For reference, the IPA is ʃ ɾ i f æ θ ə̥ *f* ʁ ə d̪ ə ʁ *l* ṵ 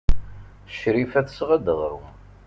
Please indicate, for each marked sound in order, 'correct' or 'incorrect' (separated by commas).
incorrect, incorrect